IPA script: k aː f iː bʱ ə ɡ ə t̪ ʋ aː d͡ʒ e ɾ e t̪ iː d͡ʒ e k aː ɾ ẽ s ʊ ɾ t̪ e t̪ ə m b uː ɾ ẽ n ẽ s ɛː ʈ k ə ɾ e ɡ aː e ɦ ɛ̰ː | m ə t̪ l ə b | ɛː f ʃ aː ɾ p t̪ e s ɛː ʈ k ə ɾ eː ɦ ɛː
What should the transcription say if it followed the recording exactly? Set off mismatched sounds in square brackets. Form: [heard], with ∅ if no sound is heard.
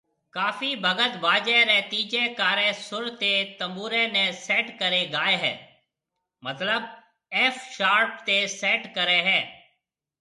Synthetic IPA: k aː f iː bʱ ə ɡ ə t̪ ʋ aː d͡ʒ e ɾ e t̪ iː d͡ʒ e k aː ɾ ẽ s ʊ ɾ t̪ e t̪ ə m b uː ɾ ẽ n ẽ s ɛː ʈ k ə ɾ e ɡ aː e ɦ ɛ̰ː | m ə t̪ l ə b | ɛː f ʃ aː ɾ p t̪ e s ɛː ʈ k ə ɾ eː ɦ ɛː